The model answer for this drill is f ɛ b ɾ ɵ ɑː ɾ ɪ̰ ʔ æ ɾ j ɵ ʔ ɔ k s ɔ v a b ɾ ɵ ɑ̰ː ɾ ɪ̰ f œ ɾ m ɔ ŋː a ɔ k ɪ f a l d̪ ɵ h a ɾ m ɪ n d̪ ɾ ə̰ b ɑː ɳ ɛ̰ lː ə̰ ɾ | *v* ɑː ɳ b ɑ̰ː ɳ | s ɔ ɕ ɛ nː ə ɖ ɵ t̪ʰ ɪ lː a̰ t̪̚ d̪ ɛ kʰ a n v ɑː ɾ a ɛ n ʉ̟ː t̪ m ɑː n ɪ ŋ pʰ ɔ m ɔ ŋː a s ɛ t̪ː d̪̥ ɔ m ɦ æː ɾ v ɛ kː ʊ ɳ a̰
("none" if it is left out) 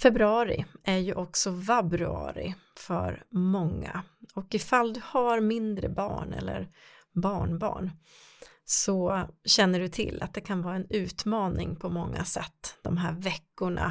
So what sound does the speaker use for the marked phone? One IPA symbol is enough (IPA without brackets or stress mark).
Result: b